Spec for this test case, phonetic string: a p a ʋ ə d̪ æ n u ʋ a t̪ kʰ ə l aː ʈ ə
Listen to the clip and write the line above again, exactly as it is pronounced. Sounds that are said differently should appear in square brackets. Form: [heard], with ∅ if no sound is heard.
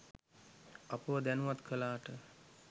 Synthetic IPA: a p [ə] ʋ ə d̪ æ n u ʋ a t̪ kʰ ə l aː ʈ ə